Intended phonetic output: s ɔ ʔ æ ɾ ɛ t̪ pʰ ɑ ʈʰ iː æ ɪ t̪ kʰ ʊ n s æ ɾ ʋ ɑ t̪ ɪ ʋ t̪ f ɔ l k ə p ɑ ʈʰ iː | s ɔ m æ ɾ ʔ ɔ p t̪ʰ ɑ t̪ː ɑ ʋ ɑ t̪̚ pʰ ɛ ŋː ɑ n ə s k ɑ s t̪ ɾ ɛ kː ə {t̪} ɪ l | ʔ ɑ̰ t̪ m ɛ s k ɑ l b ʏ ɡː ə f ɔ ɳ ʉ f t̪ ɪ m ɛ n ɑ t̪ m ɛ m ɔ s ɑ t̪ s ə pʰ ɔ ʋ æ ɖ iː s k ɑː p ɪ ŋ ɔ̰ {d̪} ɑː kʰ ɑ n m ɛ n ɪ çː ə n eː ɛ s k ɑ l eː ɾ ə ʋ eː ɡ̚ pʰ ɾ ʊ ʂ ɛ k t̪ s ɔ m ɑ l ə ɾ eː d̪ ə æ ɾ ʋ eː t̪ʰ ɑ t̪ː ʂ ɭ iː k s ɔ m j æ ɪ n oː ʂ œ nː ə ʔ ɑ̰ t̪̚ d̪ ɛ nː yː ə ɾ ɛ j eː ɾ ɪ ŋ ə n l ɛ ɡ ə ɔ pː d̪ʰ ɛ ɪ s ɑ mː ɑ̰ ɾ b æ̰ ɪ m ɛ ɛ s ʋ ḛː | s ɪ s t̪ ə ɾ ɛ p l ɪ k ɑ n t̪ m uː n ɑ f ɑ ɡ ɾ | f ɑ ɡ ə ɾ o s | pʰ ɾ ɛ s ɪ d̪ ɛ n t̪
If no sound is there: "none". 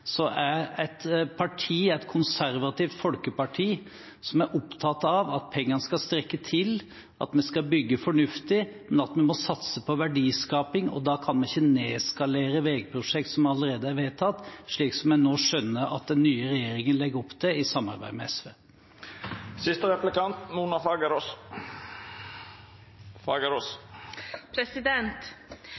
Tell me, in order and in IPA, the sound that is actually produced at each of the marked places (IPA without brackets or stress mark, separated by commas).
t̪ʰ, d̪